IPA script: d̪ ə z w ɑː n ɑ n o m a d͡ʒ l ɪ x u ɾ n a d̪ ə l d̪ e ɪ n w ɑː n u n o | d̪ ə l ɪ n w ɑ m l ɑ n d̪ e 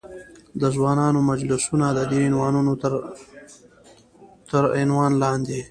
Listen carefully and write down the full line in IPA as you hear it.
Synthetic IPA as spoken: d̪ ə z w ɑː n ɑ n o m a d͡ʒ l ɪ s u n a d̪ ə d̪ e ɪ n w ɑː n u n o | t̪ ə ɾ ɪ n w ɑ n l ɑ n d̪ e